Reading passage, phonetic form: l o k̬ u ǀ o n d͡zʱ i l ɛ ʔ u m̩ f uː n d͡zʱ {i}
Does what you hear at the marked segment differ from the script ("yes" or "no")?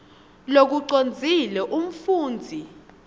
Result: no